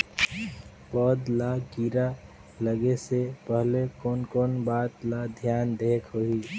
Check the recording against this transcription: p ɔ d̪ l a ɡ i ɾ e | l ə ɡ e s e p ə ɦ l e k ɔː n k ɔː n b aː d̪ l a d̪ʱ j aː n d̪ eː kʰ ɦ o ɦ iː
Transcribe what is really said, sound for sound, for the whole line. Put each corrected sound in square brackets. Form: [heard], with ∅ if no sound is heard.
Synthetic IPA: p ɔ d̪ l a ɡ i ɾ [a] | l ə ɡ e s e p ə ɦ l e k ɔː n k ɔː n b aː [t̪] l a d̪ʱ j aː n d̪ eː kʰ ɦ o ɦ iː